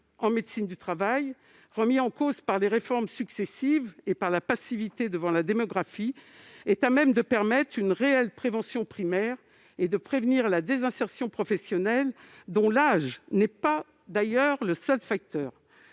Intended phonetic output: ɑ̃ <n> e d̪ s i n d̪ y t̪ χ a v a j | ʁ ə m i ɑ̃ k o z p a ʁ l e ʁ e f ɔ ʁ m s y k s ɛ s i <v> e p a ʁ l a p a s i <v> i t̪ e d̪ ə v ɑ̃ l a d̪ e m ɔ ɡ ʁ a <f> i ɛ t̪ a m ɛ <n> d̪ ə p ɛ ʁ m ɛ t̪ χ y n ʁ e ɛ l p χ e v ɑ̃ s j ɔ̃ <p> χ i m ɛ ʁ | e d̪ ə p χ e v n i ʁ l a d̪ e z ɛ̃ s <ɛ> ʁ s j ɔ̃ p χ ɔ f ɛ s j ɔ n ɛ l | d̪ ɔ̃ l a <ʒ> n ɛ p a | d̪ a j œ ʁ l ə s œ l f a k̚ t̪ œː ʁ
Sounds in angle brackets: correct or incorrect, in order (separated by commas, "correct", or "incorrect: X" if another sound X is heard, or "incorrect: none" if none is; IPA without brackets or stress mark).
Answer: incorrect: m, correct, correct, correct, incorrect: m, correct, correct, correct